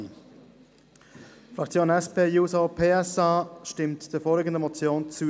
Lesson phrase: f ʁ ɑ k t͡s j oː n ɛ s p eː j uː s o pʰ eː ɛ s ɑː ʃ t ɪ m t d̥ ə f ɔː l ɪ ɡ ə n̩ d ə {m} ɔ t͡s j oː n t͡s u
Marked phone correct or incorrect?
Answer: correct